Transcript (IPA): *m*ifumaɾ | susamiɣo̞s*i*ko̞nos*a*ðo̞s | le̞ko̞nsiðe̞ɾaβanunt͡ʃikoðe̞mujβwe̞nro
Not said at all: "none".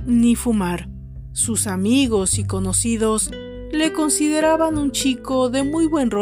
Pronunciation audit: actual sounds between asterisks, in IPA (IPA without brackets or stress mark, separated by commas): n, i, i